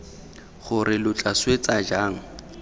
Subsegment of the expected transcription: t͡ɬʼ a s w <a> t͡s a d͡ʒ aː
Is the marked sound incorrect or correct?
incorrect